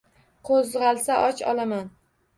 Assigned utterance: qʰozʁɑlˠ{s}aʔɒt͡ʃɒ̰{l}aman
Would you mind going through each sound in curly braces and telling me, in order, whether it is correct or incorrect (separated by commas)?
correct, correct